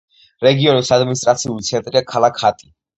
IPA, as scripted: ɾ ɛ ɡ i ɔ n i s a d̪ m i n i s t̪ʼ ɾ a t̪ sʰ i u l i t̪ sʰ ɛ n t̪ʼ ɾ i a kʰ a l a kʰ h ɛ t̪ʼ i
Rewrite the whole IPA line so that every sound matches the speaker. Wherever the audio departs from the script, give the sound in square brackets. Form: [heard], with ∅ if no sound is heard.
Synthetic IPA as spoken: ɾ ɛ ɡ i ɔ n i s a d̪ m i n i s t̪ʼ ɾ a t̪ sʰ i u l i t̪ sʰ ɛ n t̪ʼ ɾ i a kʰ a l a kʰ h [a] t̪ʼ i

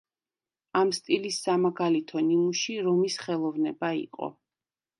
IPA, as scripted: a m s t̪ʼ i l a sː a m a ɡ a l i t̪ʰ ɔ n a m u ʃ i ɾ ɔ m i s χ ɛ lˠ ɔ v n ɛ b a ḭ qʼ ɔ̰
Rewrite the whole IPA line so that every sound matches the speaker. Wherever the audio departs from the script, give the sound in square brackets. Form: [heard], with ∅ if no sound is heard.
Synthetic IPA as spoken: a m s t̪ʼ i l [i] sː a m a ɡ a l i t̪ʰ ɔ n [i] m u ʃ i ɾ ɔ m i s χ ɛ lˠ ɔ v n ɛ b a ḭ qʼ ɔ̰

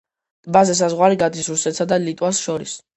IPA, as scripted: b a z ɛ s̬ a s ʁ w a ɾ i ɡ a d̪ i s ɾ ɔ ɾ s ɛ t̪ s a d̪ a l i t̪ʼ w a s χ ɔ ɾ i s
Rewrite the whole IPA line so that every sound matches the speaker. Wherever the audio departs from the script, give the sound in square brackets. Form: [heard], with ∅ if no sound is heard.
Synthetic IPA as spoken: b a z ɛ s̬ a [z] ʁ w a ɾ i ɡ a d̪ i s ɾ [u] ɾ s ɛ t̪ s a d̪ a l i t̪ʼ w a s [ʃ] ɔ ɾ i s

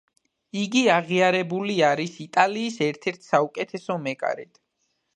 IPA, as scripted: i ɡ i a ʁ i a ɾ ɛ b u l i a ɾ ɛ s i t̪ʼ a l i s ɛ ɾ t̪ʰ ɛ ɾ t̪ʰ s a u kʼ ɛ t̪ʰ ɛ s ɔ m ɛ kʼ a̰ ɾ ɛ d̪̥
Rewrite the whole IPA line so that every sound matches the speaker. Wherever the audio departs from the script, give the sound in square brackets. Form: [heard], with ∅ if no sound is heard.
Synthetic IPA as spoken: i ɡ i a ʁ i a ɾ ɛ b u l i a ɾ [i] s i t̪ʼ a l [iː] s ɛ ɾ t̪ʰ ɛ ɾ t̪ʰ s a u kʼ ɛ t̪ʰ ɛ s ɔ m ɛ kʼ a̰ ɾ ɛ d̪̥

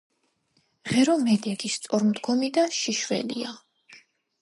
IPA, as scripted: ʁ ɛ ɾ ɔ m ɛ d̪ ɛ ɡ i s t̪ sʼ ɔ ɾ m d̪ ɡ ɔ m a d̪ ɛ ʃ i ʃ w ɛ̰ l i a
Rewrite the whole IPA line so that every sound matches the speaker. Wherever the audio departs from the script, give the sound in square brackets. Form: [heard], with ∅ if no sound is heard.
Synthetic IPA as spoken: ʁ ɛ ɾ ɔ m ɛ d̪ ɛ ɡ i s t̪ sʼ ɔ ɾ m d̪ ɡ ɔ m [i] d̪ [a] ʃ i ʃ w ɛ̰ l i a

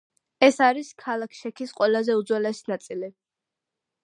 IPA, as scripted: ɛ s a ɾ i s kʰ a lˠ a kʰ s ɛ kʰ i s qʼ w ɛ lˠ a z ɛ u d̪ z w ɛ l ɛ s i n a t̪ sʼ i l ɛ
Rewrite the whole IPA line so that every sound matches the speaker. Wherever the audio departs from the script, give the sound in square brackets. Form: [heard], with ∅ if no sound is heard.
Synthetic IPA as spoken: ɛ s a ɾ i s kʰ a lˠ a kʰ [ʃ] ɛ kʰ i s qʼ w ɛ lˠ a z ɛ u d̪ z w ɛ l ɛ s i n a t̪ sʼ i l [i]

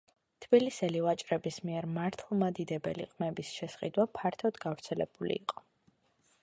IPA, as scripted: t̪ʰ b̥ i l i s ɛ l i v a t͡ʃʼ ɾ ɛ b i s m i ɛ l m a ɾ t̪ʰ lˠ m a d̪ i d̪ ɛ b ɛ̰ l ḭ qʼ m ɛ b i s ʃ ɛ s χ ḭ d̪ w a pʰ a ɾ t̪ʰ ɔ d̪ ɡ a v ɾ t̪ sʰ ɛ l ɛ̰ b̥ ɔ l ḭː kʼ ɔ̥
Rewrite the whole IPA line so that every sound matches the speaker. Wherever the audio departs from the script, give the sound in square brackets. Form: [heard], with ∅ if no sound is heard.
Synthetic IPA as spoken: t̪ʰ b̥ i l i s ɛ l i v a t͡ʃʼ ɾ ɛ b i s m i ɛ [ɾ] m a ɾ t̪ʰ lˠ m a d̪ i d̪ ɛ b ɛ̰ l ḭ qʼ m ɛ b i s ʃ ɛ s χ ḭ d̪ w a pʰ a ɾ t̪ʰ ɔ d̪ ɡ a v ɾ t̪ sʰ ɛ l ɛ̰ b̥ [u] l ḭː [qʼ] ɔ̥

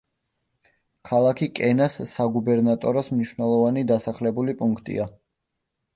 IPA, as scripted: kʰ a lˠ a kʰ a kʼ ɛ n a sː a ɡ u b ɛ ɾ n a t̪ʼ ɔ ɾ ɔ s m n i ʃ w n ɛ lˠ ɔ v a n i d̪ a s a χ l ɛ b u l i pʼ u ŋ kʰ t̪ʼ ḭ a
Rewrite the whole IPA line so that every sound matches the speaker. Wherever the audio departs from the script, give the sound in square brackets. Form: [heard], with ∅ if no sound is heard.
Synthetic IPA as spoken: kʰ a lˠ a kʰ [i] kʼ ɛ n a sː a ɡ u b ɛ ɾ n a t̪ʼ ɔ ɾ ɔ s m n i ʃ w n ɛ lˠ ɔ v a n i d̪ a s a χ l ɛ b u l i pʼ u ŋ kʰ t̪ʼ ḭ a

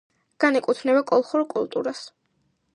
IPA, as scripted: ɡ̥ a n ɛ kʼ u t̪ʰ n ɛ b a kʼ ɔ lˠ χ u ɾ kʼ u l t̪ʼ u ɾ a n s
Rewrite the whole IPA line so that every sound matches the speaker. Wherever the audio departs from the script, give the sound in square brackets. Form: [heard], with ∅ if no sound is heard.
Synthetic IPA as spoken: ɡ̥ a n ɛ kʼ u t̪ʰ n ɛ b a kʼ ɔ lˠ χ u ɾ kʼ u l t̪ʼ u ɾ a [∅] s

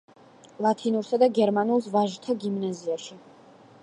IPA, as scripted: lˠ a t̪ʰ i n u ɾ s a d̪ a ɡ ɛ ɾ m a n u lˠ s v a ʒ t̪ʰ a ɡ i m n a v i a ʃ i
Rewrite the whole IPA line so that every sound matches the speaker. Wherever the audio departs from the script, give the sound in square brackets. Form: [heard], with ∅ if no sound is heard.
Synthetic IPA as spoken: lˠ a t̪ʰ i n u ɾ s a d̪ a ɡ ɛ ɾ m a n u lˠ s v a ʒ t̪ʰ a ɡ i m n a [z] i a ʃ i

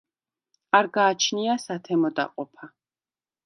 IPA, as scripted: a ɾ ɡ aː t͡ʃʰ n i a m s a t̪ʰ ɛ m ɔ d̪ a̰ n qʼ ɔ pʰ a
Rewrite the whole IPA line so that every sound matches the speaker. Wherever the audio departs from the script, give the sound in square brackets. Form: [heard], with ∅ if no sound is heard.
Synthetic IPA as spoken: a ɾ ɡ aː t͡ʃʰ n i a [∅] s a t̪ʰ ɛ m ɔ d̪ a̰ [∅] qʼ ɔ pʰ a

